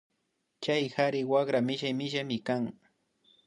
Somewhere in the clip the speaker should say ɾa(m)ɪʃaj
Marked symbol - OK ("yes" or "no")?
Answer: yes